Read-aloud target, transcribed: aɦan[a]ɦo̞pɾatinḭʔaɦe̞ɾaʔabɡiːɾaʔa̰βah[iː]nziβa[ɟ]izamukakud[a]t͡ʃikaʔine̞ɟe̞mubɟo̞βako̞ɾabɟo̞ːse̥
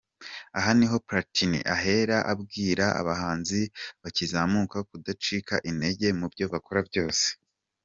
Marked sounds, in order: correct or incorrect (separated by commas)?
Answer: incorrect, incorrect, incorrect, correct